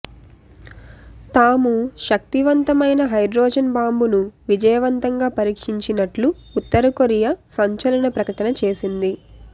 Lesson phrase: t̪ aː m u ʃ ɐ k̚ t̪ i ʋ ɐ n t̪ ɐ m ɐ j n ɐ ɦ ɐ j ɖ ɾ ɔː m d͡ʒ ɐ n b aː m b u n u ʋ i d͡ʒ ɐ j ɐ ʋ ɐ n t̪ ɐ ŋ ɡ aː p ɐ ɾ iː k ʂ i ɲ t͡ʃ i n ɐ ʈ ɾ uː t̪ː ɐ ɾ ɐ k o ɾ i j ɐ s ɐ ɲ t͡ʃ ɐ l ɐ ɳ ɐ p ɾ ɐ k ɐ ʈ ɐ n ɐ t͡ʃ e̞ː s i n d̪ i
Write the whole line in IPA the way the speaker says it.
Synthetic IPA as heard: t̪ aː m u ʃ ɐ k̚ t̪ i ʋ ɐ n t̪ ɐ m ɐ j n ɐ ɦ ɐ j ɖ ɾ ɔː d͡ʒ ɐ n b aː m b u n u ʋ i d͡ʒ ɐ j ɐ ʋ ɐ n t̪ ɐ ŋ ɡ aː p ɐ ɾ iː k ʂ i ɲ t͡ʃ i n ɐ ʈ l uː t̪ː ɐ ɾ ɐ k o ɾ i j ɐ s ɐ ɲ t͡ʃ ɐ l ɐ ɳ ɐ p ɾ ɐ k ɐ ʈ ɐ n ɐ t͡ʃ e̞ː s i n d̪ i